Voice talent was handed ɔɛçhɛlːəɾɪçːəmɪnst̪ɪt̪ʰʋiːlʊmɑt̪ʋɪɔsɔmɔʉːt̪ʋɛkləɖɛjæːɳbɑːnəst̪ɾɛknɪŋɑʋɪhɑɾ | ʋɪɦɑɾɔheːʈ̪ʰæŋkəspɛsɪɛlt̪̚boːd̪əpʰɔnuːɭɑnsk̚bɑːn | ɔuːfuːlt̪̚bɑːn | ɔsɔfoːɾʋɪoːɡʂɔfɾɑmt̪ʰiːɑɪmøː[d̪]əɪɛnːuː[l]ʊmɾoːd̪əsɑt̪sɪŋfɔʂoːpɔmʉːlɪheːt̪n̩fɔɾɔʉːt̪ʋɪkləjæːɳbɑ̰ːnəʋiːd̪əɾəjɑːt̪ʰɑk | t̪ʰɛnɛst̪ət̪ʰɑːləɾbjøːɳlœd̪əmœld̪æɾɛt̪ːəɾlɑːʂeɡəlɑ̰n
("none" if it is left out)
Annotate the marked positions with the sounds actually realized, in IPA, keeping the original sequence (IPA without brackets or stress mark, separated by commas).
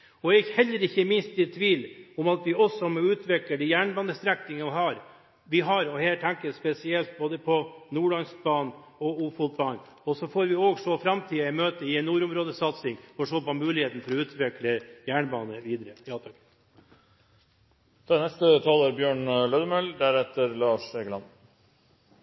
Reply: t̪, ɾ